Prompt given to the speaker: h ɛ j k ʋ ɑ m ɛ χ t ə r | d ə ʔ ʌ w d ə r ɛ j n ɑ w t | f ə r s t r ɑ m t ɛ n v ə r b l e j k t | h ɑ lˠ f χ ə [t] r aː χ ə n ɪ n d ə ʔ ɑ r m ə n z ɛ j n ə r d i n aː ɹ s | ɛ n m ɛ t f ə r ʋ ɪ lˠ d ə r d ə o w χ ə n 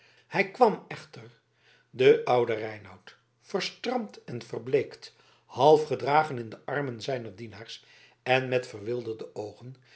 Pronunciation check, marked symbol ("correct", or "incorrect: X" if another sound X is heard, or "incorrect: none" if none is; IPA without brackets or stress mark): incorrect: d